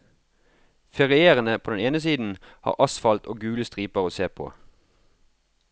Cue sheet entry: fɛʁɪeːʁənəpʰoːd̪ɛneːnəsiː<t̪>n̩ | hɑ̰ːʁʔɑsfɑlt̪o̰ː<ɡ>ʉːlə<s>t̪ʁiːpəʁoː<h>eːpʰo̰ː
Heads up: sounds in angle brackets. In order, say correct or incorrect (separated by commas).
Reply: incorrect, correct, correct, incorrect